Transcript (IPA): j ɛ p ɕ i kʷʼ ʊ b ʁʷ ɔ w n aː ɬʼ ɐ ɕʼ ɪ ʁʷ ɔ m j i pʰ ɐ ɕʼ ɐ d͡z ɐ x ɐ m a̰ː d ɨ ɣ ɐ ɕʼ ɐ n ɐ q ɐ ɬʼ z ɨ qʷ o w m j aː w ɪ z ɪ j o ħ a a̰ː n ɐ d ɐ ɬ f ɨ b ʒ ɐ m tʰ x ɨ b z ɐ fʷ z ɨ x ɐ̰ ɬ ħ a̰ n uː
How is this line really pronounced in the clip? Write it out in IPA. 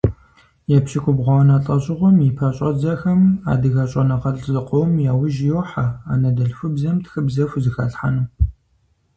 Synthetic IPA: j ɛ p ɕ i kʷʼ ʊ b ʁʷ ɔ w n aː ɬʼ ɐ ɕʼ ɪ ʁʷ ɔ m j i pʰ ɐ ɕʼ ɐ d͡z ɐ x ɐ m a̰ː d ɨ ɣ ɐ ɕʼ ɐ n ɐ q ɐ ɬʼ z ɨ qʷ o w m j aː w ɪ ʒ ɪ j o ħ a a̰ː n ɐ d ɐ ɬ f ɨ b z ɐ m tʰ x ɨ b z ɐ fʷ z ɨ x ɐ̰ ɬ ħ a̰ n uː